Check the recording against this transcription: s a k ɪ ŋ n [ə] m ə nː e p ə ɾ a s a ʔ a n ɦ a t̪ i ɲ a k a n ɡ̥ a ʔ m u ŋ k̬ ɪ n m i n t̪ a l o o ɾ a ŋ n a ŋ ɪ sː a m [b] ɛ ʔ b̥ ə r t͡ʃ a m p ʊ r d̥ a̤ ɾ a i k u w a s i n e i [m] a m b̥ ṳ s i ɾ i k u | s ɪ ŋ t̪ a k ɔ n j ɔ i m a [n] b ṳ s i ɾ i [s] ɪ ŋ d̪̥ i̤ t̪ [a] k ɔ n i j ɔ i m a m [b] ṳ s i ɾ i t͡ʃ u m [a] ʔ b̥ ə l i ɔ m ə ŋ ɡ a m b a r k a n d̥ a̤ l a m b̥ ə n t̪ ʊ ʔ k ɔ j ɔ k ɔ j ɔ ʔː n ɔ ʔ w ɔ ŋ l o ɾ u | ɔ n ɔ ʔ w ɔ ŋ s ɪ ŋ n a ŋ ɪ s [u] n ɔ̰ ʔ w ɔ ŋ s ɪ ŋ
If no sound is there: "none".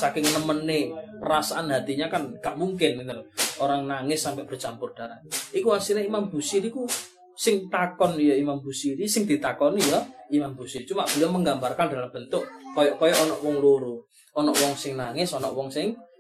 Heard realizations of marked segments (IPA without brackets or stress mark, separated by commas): ə, p, m, m, s, a, b, a, ɔ